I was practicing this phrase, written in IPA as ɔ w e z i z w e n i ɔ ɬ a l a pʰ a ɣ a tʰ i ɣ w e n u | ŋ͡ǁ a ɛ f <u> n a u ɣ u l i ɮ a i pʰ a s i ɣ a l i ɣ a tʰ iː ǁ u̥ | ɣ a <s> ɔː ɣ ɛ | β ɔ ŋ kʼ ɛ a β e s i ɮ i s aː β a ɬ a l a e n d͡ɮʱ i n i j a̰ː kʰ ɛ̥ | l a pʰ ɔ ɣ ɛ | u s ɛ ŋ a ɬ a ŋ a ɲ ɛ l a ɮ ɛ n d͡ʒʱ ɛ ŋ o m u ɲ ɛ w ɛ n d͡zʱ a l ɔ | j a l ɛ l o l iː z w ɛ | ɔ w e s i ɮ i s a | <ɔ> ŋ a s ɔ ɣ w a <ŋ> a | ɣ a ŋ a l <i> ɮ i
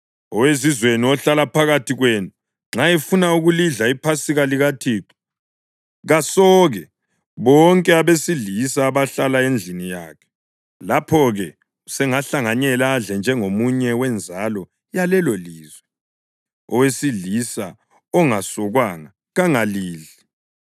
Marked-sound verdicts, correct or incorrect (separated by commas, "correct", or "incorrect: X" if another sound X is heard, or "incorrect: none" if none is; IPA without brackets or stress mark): correct, correct, correct, correct, incorrect: iː